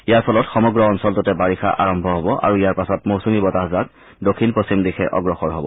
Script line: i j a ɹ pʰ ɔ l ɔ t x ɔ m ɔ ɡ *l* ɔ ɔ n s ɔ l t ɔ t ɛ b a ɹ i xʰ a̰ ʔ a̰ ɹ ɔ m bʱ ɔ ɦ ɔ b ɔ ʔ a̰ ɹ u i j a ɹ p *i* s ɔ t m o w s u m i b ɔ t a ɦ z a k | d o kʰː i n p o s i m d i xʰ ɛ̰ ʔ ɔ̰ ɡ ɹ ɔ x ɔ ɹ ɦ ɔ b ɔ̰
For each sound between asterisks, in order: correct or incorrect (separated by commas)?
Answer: incorrect, incorrect